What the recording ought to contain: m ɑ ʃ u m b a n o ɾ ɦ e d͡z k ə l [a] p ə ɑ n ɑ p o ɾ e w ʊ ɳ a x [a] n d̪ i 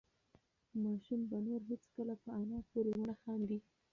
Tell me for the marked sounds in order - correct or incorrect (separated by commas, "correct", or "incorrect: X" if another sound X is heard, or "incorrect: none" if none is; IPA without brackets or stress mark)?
correct, incorrect: ɑ